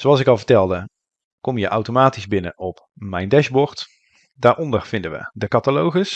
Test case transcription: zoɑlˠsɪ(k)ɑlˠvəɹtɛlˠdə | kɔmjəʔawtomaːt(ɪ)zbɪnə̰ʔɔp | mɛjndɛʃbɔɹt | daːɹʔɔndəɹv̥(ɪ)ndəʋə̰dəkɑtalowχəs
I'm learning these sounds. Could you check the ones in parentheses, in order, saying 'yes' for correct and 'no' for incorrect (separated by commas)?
yes, no, yes